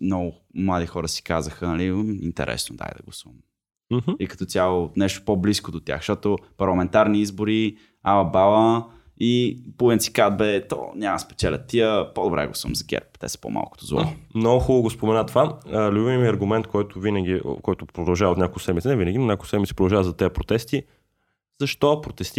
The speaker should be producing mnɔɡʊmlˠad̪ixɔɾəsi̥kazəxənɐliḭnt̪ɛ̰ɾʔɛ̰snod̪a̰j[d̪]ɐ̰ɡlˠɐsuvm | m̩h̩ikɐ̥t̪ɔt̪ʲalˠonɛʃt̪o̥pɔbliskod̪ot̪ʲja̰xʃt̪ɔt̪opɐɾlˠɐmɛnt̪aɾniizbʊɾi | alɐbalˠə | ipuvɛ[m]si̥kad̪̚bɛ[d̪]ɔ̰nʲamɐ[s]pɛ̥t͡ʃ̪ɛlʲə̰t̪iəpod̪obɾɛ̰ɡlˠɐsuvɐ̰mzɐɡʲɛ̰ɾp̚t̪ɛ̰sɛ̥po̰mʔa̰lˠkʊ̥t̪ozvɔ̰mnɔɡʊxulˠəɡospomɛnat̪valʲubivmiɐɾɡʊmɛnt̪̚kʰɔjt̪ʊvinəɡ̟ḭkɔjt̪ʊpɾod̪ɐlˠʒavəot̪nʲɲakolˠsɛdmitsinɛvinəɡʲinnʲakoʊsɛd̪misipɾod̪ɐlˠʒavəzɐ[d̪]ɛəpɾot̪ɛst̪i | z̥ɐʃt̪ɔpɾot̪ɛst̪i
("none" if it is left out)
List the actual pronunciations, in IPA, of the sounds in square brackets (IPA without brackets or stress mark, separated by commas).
d̪, n, t̪, s, t̪